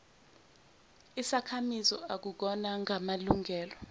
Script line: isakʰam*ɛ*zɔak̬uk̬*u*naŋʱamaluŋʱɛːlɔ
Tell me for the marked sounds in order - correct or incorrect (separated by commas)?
incorrect, incorrect